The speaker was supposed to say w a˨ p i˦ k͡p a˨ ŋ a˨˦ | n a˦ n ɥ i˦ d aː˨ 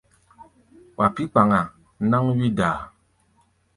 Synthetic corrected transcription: w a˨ p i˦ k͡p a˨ ŋ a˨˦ | n a˦ ŋ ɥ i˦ d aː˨